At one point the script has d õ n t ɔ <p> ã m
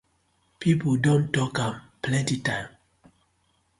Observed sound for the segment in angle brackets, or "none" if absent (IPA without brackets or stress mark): k